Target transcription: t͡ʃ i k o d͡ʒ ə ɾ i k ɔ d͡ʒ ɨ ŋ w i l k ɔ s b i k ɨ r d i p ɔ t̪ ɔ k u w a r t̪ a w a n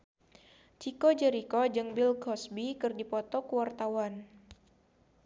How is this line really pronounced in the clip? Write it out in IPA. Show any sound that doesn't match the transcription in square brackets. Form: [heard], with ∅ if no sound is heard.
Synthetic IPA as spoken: t͡ʃ i k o d͡ʒ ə ɾ i k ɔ d͡ʒ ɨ ŋ [b] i l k ɔ s b i k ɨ r d i p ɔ t̪ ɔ k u w a r t̪ a w a n